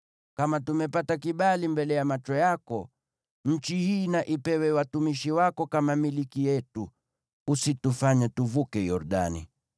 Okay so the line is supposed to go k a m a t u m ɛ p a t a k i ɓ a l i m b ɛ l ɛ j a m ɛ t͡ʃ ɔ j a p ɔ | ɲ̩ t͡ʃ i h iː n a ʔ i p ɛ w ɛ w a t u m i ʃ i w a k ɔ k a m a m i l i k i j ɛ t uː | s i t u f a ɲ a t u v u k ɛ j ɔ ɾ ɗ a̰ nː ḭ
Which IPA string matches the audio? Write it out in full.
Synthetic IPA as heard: k a m a t u m ɛ p a t a k i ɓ a l i m b ɛ l ɛ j a m a t͡ʃ ɔ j a k ɔ | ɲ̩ t͡ʃ i h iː n a ʔ i p ɛ w ɛ w a t u m i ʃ i w a k ɔ k a m a m i l i k i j ɛ t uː | s i t u f a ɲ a t u v u k ɛ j ɔ ɾ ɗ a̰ n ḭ